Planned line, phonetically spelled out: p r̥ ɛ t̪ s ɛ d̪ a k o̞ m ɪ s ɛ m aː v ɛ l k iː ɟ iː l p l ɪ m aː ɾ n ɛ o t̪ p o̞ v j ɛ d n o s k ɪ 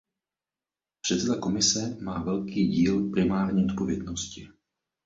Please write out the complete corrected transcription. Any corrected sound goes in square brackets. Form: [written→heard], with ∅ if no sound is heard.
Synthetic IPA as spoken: p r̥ ɛ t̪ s ɛ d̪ a k o̞ m ɪ s ɛ m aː v ɛ l k iː ɟ iː l p [l→ɾ] ɪ m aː ɾ [n→ɲ] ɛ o t̪ p o̞ v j ɛ d n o s [k→c] ɪ